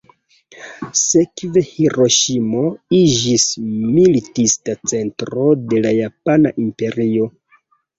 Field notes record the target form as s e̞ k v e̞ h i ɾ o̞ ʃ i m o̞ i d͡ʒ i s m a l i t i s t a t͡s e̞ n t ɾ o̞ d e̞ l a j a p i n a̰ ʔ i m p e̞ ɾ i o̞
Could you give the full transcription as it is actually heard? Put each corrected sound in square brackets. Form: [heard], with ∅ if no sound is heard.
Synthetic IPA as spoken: s e̞ k v e̞ h i ɾ o̞ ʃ i m o̞ i d͡ʒ i s m [i] l i t i s t a t͡s e̞ n t ɾ o̞ d e̞ l a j a p [a] n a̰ ʔ i m p e̞ ɾ i o̞